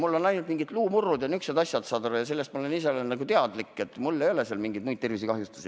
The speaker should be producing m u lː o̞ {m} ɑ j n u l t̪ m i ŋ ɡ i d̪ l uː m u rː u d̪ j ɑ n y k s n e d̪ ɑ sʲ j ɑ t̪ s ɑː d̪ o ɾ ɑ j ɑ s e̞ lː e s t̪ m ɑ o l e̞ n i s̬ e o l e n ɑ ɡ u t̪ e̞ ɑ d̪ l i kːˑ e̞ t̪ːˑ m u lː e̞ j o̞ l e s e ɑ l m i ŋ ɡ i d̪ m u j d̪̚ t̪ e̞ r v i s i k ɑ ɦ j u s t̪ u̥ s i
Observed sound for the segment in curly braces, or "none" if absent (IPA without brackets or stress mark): n